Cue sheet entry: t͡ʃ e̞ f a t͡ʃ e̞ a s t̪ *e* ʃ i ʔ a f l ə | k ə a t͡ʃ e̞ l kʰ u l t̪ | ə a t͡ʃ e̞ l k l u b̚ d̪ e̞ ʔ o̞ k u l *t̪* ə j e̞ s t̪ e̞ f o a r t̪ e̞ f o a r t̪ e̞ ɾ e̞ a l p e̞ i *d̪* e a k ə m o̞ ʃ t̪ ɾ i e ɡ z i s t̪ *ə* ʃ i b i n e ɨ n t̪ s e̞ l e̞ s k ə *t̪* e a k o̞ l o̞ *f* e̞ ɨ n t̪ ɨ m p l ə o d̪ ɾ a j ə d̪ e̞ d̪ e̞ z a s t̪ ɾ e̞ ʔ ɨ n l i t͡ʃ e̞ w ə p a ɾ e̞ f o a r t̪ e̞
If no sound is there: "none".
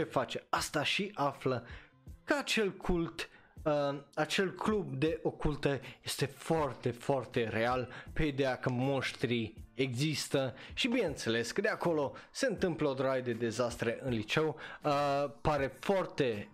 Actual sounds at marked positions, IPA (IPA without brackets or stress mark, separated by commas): a, t̪, d̪, ə, d̪, s